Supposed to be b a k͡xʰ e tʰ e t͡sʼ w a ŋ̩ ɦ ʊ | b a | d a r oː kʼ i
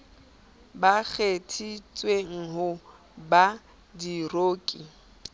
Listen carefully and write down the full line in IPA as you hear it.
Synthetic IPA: b a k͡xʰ e tʰ i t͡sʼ w e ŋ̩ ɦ ʊ | b a | d i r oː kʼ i